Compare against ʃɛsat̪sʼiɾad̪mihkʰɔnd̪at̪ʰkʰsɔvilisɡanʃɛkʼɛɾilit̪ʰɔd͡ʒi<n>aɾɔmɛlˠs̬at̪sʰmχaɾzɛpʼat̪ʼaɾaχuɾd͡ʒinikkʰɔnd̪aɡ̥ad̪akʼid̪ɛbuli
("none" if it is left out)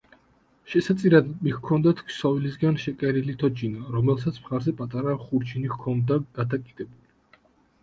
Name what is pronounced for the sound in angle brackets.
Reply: n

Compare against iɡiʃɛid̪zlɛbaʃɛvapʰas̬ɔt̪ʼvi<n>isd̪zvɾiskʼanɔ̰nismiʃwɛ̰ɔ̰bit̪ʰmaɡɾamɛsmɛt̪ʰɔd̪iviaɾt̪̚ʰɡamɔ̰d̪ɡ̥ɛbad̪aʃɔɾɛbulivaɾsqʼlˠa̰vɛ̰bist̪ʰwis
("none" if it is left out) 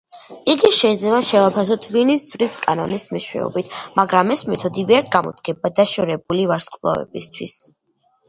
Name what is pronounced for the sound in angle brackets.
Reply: n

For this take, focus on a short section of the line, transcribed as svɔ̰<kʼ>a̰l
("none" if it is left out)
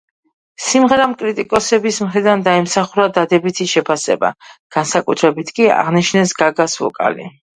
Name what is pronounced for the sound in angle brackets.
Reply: kʼ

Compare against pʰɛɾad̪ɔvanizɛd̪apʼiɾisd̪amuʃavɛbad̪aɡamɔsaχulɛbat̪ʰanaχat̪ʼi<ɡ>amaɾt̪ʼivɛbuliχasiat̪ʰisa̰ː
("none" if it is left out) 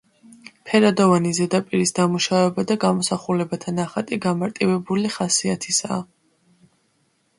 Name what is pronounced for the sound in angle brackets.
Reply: ɡ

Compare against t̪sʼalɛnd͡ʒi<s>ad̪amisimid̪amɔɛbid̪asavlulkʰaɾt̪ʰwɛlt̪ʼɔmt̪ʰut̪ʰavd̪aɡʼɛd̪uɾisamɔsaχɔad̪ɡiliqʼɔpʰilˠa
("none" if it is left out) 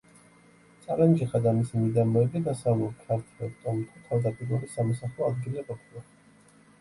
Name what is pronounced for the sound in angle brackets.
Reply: χ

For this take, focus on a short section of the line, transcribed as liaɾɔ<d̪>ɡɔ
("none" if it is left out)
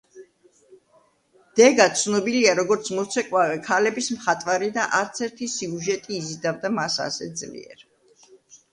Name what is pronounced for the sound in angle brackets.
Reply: none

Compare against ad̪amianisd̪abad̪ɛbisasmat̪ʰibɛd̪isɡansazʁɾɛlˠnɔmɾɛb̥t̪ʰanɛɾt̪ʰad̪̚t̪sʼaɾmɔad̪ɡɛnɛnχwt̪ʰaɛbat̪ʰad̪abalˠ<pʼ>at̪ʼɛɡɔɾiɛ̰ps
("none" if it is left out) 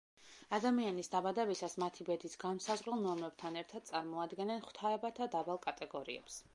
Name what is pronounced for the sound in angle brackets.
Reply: kʼ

